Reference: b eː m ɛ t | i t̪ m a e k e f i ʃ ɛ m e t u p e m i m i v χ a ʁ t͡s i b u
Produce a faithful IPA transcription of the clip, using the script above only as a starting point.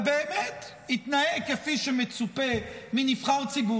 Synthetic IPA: b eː m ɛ t | i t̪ n a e k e f i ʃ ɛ m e t͡s u p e m i n i f χ a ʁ t͡s i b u